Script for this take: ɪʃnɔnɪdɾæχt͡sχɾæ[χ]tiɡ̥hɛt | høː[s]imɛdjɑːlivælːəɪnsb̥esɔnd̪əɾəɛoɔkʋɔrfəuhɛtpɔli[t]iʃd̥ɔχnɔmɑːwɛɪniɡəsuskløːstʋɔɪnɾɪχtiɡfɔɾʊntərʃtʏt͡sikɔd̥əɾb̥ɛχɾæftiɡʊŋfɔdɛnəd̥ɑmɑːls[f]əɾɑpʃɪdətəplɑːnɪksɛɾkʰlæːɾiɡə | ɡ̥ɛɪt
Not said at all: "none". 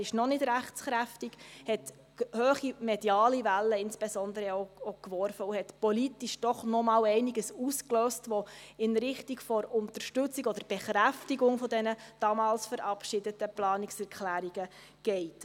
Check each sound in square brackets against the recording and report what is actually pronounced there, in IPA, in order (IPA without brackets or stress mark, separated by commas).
f, χ, t, f